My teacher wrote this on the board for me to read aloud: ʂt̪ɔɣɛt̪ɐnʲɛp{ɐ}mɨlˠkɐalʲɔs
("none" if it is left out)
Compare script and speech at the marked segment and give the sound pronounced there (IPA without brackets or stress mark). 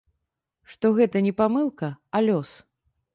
a